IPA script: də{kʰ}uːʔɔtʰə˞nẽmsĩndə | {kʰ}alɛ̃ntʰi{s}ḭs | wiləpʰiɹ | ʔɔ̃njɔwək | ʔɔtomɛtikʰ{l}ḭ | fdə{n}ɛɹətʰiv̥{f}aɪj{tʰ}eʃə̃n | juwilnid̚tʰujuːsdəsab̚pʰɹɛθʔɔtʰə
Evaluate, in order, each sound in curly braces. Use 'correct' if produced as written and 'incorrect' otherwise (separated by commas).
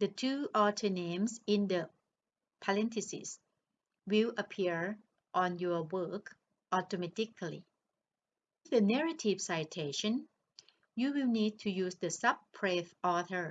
incorrect, incorrect, correct, correct, correct, incorrect, correct